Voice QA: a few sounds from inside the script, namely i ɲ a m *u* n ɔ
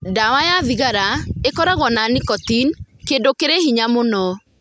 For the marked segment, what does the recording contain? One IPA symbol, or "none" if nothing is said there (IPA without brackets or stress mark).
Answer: o